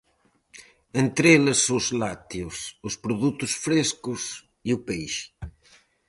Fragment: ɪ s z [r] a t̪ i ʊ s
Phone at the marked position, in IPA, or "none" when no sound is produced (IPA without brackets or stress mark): l